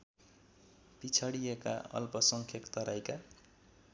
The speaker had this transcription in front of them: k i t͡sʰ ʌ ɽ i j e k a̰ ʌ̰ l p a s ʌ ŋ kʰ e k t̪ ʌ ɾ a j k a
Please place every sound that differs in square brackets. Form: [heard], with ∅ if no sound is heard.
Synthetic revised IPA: [p] i t͡sʰ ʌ ɽ i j e k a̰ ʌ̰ l p [ʌ] s ʌ ŋ kʰ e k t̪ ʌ ɾ a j k a